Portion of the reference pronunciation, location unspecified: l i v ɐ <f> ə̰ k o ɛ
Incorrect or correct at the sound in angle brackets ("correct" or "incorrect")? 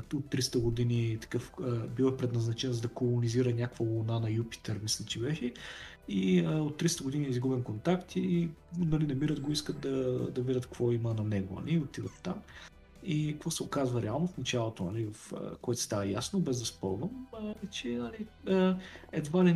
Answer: correct